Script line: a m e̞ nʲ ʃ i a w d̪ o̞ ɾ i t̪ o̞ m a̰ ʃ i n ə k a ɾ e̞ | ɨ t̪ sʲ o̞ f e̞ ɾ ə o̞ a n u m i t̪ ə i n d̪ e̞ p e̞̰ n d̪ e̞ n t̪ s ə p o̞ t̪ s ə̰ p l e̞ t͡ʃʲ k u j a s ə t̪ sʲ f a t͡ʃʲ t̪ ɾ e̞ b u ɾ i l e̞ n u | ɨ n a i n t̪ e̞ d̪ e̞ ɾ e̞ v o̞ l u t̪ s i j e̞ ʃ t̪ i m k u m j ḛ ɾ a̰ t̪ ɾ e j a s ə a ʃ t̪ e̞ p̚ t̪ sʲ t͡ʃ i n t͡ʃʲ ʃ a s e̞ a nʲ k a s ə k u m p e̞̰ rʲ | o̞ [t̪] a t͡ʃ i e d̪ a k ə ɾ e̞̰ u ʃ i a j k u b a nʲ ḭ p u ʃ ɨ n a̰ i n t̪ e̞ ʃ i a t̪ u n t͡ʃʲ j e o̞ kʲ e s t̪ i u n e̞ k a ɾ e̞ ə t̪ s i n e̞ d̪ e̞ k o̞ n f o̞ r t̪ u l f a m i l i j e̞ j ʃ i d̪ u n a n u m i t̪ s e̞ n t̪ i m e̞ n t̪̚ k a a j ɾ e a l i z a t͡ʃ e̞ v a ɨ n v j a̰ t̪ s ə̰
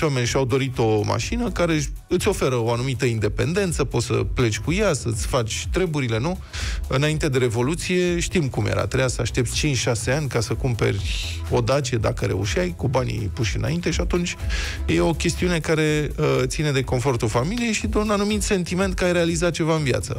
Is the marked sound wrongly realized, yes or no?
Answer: yes